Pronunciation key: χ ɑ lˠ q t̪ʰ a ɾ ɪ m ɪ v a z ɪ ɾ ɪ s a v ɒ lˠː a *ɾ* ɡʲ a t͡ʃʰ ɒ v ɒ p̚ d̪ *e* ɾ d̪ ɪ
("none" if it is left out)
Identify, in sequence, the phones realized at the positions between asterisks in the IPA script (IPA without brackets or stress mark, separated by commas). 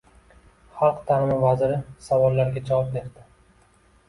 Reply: ɾ, e